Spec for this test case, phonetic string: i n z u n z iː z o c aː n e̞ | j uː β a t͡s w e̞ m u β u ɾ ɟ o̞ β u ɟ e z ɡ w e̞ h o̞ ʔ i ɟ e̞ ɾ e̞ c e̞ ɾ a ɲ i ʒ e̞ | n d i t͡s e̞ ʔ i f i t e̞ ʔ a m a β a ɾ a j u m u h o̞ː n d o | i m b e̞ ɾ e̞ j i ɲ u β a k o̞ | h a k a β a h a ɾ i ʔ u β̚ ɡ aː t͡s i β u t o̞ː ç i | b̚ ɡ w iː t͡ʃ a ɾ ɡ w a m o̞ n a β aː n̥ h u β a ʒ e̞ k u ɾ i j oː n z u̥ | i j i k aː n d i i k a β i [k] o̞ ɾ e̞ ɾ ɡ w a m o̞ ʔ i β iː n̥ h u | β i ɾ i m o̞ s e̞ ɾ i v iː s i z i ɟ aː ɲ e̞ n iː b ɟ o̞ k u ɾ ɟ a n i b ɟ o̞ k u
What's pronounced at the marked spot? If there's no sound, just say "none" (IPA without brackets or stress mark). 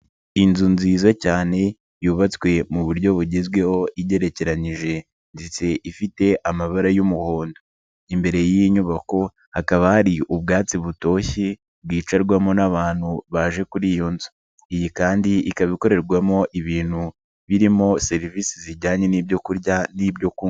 k